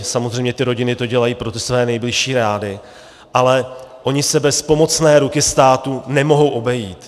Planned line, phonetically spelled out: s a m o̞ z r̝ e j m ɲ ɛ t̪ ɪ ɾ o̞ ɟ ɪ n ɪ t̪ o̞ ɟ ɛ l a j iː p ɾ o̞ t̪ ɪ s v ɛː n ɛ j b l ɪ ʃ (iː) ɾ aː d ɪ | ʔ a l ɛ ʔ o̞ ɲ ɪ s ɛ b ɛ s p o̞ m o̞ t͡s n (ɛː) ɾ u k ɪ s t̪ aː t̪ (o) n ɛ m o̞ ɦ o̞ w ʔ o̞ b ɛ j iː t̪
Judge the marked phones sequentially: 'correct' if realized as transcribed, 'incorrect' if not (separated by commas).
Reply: correct, correct, incorrect